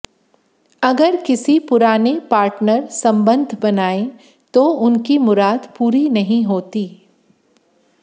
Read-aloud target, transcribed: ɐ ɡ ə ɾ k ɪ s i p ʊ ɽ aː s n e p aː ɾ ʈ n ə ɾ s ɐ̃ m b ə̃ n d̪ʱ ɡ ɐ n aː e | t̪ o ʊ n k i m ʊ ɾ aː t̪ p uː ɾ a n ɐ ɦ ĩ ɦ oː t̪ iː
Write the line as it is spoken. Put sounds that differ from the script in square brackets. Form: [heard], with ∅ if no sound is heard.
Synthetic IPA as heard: ɐ ɡ ə ɾ k ɪ s i p ʊ [ɾ] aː [∅] n e p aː ɾ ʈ n ə ɾ s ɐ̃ m b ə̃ n d̪ʱ [b] ɐ n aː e | t̪ o ʊ n k i m ʊ ɾ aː [d̪] p uː ɾ [i] n ɐ ɦ ĩ ɦ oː t̪ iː